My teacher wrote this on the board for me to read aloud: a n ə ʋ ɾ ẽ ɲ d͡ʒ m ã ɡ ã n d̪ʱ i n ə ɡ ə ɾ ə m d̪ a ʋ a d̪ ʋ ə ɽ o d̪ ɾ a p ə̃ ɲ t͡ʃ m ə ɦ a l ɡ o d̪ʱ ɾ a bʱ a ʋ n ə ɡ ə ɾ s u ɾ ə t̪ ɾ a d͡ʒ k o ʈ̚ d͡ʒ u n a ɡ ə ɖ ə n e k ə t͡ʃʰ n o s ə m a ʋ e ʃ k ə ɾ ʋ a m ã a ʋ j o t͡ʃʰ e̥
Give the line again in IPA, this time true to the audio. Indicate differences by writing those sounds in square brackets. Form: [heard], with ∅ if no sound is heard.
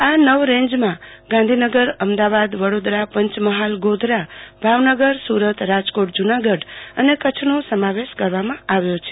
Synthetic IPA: a n ə ʋ ɾ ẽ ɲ d͡ʒ m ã ɡ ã n d̪ʱ i n ə ɡ ə ɾ ə m d̪ a ʋ a d̪ ʋ ə ɽ o d̪ ɾ a p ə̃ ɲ t͡ʃ m ə ɦ a l ɡ o d̪ʱ ɾ a bʱ a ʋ n ə ɡ ə ɾ s u ɾ ə t̪ ɾ a d͡ʒ k o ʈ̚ d͡ʒ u n a ɡ ə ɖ ə n e k ə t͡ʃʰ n o s ə m a ʋ e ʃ k ə ɾ ʋ a m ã a ʋ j o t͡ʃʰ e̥

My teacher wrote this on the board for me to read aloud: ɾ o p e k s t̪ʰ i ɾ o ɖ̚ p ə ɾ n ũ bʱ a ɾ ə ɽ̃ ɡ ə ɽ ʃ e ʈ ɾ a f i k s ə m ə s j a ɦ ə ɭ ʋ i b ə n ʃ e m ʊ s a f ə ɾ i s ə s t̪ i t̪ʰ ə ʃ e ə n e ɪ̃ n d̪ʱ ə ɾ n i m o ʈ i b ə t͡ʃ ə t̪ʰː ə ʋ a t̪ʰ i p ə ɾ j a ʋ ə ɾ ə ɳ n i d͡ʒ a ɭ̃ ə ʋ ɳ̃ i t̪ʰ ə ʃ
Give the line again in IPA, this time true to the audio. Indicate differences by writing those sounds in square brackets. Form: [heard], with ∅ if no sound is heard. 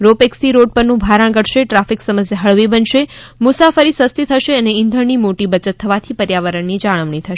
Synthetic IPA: ɾ o p e k s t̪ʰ i ɾ o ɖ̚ p ə ɾ n ũ bʱ a ɾ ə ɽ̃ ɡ ə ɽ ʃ e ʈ ɾ a f i k s ə m ə s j a ɦ ə ɭ ʋ i b ə n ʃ e m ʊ s a f ə ɾ i s ə s t̪ i t̪ʰ ə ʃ e ə n e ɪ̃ n d̪ʱ ə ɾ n i m o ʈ i b ə t͡ʃ ə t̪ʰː ə ʋ a t̪ʰ i p ə ɾ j a ʋ ə ɾ ə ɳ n i d͡ʒ a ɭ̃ ə ʋ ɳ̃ i t̪ʰ ə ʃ

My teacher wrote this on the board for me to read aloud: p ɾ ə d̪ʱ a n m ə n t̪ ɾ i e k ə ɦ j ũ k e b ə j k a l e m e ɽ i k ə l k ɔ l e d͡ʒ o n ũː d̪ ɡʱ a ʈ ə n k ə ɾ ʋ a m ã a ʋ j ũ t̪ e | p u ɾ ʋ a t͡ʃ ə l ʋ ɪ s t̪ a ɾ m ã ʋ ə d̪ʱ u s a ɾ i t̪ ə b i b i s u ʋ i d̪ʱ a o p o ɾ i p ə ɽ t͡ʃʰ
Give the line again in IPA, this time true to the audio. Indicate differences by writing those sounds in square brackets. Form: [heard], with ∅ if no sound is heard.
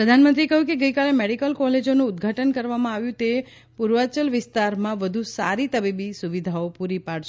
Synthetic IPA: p ɾ ə d̪ʱ a n m ə n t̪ ɾ i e k ə ɦ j ũ k e [ɡ] ə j k a l e m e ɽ i k ə l k ɔ l e d͡ʒ o n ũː d̪ ɡʱ a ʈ ə n k ə ɾ ʋ a m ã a ʋ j ũ t̪ e | p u ɾ ʋ a t͡ʃ ə l ʋ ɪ s t̪ a ɾ m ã ʋ ə d̪ʱ u s a ɾ i t̪ ə b i b i s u ʋ i d̪ʱ a o p [u] ɾ i p [a] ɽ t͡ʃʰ

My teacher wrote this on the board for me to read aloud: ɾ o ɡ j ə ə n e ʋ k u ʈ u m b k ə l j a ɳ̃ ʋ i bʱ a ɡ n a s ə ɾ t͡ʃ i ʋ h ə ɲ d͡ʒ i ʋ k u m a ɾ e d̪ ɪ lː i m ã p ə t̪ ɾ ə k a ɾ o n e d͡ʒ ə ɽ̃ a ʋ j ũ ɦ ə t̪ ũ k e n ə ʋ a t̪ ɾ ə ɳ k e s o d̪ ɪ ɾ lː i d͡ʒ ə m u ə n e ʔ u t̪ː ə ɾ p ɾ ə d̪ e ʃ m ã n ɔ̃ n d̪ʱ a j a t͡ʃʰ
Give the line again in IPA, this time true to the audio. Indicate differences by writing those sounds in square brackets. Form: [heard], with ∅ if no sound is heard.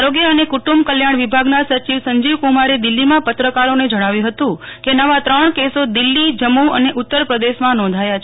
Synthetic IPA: ɾ o ɡ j ə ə n e [∅] k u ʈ u m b k ə l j a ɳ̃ ʋ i bʱ a ɡ n a s ə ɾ t͡ʃ i ʋ [s] ə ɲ d͡ʒ i ʋ k u m a ɾ e d̪ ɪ lː i m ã p ə t̪ ɾ ə k a ɾ o n e d͡ʒ ə ɽ̃ a ʋ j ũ ɦ ə t̪ ũ k e n ə ʋ a t̪ ɾ ə ɳ k e s o d̪ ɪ [∅] lː i d͡ʒ ə m u ə n e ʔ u t̪ː ə ɾ p ɾ ə d̪ e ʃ m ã n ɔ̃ n d̪ʱ a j a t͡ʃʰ

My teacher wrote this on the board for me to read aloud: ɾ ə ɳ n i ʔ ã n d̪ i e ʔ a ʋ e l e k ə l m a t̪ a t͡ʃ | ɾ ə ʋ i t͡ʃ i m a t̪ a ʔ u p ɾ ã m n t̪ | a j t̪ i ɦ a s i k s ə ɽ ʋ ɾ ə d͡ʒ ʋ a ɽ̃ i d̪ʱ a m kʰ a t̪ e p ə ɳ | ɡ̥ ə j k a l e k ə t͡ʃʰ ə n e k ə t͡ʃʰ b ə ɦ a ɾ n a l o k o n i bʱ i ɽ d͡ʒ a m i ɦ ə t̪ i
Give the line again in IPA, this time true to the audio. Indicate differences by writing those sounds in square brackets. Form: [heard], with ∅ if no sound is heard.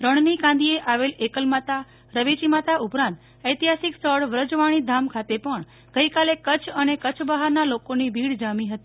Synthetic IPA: ɾ ə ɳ n i [k] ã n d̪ i e ʔ a ʋ e l e k ə l m a t̪ a [∅] | ɾ ə ʋ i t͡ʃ i m a t̪ a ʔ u p ɾ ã [∅] n t̪ | [ə] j t̪ i ɦ a s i k s ə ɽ ʋ ɾ ə d͡ʒ ʋ a ɽ̃ i d̪ʱ a m kʰ a t̪ e p ə ɳ | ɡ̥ ə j k a l e k ə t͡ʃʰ ə n e k ə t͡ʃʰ b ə ɦ a ɾ n a l o k o n i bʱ i ɽ d͡ʒ a m i ɦ ə t̪ i

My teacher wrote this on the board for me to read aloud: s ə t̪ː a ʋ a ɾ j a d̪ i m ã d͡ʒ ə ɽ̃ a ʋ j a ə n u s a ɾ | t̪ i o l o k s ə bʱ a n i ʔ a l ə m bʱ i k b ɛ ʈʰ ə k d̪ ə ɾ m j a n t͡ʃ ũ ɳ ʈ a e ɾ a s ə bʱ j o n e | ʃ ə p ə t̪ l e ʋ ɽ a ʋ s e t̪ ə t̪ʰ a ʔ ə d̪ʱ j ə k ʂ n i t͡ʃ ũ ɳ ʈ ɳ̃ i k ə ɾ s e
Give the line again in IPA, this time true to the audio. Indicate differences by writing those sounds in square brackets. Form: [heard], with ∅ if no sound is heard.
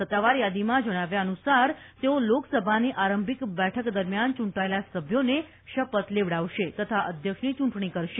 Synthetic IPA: s ə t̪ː a ʋ a ɾ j a d̪ i m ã d͡ʒ ə ɽ̃ a ʋ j a ə n u s a ɾ | t̪ [e] o l o k s ə bʱ a n i ʔ a [ɾ] ə m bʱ i k b ɛ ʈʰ ə k d̪ ə ɾ m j a n t͡ʃ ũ ɳ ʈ a e [l] a s ə bʱ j o n e | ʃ ə p ə t̪ l e ʋ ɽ a ʋ [ʃ] e t̪ ə t̪ʰ a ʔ ə d̪ʱ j ə k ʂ n i t͡ʃ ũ ɳ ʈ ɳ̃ i k ə ɾ [ʃ] e

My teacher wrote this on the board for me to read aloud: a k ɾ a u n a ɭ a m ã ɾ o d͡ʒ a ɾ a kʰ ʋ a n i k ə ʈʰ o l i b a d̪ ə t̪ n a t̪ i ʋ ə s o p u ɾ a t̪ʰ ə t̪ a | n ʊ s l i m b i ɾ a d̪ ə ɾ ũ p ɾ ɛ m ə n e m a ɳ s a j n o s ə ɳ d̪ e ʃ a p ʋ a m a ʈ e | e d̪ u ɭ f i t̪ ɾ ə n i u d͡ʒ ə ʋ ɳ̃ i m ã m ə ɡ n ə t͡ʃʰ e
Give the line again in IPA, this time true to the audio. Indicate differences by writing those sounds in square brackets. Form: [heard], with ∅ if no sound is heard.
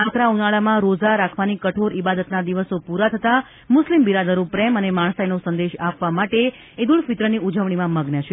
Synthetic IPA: a k ɾ a u n a ɭ a m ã ɾ o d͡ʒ a ɾ a kʰ ʋ a n i k ə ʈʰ o [ɾ] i b a d̪ ə t̪ n a [d̪] i ʋ ə s o p u ɾ a t̪ʰ ə t̪ a | [m] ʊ s l i m b i ɾ a d̪ ə ɾ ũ p ɾ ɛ m ə n e m a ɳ s a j n o s ə [n] d̪ e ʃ a p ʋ a m a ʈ e | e d̪ u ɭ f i t̪ ɾ ə n i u d͡ʒ ə ʋ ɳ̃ i m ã m ə ɡ n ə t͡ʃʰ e

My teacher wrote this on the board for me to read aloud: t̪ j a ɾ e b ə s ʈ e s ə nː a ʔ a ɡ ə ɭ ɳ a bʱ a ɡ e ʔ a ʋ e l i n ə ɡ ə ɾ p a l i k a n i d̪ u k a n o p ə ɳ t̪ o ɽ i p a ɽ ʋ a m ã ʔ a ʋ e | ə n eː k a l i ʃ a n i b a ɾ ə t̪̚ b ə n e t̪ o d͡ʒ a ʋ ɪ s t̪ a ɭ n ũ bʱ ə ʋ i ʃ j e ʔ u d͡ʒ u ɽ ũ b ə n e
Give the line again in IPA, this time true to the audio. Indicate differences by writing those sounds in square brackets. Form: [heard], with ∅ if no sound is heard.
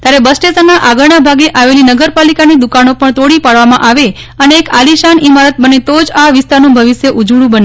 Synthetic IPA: t̪ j a ɾ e b ə s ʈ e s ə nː a ʔ a ɡ ə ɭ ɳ a bʱ a ɡ e ʔ a ʋ e l i n ə ɡ ə ɾ p a l i k a n i d̪ u k a n o p ə ɳ t̪ o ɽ i p a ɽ ʋ a m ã ʔ a ʋ e | ə n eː k a l i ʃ a n i [m] a ɾ ə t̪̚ b ə n e t̪ o d͡ʒ a ʋ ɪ s t̪ a [ɾ] n ũ bʱ ə ʋ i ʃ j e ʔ u d͡ʒ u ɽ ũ b ə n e

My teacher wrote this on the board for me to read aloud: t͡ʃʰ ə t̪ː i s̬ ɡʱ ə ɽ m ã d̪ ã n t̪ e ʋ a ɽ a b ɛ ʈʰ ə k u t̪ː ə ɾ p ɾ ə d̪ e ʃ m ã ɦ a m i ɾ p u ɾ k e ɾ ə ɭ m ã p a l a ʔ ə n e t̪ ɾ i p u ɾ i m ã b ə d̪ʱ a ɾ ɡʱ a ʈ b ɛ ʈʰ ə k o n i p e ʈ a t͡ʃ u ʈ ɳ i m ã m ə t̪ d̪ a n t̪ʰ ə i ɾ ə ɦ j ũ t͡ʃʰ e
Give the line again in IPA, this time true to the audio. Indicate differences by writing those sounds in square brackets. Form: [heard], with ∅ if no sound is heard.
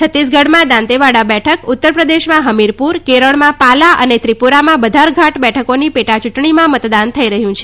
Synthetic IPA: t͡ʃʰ ə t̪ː i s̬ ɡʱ ə ɽ m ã d̪ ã n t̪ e ʋ a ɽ a b ɛ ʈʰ ə k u t̪ː ə ɾ p ɾ ə d̪ e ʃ m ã ɦ [ə] m i ɾ p u ɾ k e ɾ ə ɭ m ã p a l a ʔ ə n e t̪ ɾ i p u ɾ [a] m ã b ə d̪ʱ a ɾ ɡʱ a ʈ b ɛ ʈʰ ə k o n i p e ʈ a t͡ʃ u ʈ ɳ i m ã m ə t̪ d̪ a n t̪ʰ ə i ɾ ə ɦ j ũ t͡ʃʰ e

